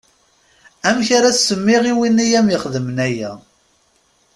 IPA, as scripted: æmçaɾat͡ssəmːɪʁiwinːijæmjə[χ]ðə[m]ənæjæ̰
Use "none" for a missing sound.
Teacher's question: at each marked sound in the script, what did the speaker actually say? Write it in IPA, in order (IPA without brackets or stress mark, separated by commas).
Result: χ, m